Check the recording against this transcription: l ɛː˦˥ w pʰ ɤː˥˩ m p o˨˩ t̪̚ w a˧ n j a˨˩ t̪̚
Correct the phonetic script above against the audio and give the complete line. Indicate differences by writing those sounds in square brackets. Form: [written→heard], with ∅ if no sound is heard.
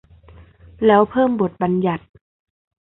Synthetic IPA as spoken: l ɛː˦˥ w pʰ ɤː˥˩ m [p→b] o˨˩ t̪̚ [w→b] a˧ n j a˨˩ t̪̚